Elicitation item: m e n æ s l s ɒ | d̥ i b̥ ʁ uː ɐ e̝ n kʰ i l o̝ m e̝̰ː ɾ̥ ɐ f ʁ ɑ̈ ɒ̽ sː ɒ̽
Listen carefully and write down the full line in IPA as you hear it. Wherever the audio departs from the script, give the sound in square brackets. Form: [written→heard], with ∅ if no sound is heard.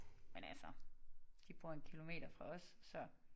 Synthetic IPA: m e n æ [s→∅] l s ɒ | d̥ i b̥ ʁ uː ɐ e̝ n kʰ i l o̝ m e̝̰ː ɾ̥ ɐ f ʁ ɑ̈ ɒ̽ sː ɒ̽